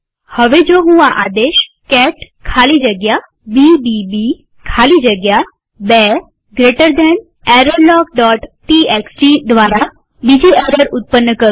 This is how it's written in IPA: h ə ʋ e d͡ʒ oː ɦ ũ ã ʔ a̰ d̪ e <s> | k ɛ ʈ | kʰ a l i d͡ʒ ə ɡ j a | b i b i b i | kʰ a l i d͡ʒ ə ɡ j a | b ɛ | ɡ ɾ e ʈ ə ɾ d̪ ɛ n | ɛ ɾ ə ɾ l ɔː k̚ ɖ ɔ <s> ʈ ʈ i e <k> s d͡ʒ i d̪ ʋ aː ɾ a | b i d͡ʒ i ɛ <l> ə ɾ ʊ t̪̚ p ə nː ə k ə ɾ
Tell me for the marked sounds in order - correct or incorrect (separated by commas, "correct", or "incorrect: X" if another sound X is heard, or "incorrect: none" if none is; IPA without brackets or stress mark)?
incorrect: ʃ, incorrect: none, correct, incorrect: ɾ